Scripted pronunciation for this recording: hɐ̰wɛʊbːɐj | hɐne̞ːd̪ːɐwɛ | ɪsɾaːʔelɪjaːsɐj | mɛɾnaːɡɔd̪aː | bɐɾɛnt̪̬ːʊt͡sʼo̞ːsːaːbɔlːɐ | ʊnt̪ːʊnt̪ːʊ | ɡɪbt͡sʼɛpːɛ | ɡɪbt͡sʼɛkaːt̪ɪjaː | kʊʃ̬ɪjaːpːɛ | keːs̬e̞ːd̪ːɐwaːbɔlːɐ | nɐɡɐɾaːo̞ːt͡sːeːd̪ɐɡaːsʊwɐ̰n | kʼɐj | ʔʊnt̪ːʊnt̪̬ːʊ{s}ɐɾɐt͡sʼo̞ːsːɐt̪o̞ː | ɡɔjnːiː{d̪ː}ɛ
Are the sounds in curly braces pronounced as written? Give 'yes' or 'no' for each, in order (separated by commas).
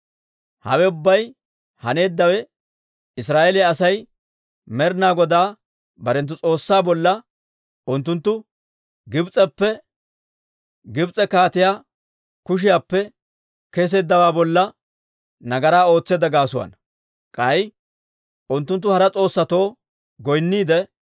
no, no